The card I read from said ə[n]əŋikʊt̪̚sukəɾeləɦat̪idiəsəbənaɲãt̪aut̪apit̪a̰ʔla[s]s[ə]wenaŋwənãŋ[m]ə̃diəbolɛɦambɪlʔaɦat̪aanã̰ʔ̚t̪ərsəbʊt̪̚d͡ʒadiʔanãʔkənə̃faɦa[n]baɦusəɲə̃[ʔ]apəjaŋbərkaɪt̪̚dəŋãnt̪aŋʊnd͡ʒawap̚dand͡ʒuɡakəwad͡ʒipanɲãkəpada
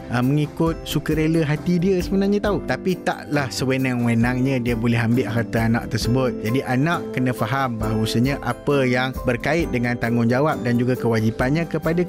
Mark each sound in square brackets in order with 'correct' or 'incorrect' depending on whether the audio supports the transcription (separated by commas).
incorrect, incorrect, correct, incorrect, incorrect, correct